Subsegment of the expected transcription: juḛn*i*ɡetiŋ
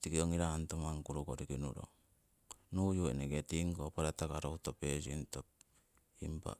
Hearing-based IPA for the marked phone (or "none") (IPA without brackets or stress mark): e